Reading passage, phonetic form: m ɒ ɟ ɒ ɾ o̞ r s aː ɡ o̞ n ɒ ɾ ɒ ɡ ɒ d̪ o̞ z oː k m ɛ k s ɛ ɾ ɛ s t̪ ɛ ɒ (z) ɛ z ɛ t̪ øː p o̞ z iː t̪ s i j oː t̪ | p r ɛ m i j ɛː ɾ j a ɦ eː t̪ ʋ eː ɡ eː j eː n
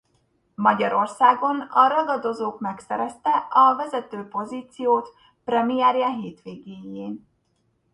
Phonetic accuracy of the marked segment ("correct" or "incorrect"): incorrect